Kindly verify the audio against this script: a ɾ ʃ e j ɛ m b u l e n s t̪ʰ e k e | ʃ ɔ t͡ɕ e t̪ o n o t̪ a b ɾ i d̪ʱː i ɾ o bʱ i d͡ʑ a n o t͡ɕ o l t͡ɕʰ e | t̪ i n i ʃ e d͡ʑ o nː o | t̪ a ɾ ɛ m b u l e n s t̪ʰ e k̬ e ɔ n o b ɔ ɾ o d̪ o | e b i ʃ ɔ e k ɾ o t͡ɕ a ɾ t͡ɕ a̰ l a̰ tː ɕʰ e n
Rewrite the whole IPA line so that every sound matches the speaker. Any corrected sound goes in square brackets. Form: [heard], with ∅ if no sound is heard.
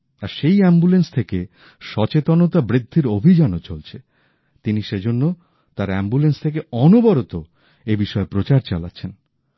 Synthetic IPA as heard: a ɾ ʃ e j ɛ m b u l e n s t̪ʰ e k e | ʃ ɔ t͡ɕ e t̪ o n o t̪ a b ɾ i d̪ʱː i ɾ o bʱ i d͡ʑ a n o t͡ɕ o l t͡ɕʰ e | t̪ i n i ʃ e d͡ʑ o nː o | t̪ a ɾ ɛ m b u l e n s t̪ʰ e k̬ e ɔ n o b ɔ ɾ o [t̪] o | e b i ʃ ɔ e [p] ɾ o t͡ɕ a ɾ t͡ɕ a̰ l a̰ tː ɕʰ e n